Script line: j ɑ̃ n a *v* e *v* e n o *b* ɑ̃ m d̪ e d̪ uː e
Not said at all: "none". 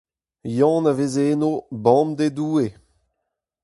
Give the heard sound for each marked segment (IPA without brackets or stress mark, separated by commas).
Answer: v, z, b